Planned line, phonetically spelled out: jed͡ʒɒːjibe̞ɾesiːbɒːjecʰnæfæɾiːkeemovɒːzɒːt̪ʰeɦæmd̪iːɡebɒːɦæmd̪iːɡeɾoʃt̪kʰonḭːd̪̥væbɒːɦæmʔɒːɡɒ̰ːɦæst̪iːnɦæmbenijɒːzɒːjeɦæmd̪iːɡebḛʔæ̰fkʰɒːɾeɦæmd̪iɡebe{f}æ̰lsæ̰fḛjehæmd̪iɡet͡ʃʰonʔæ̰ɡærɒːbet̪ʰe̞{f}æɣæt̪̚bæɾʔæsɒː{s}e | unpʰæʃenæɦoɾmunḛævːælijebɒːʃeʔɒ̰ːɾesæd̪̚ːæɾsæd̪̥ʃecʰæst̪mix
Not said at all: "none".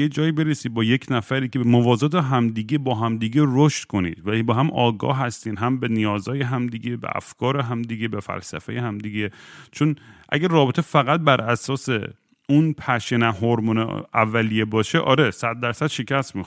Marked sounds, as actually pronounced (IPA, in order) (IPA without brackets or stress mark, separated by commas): f, f, s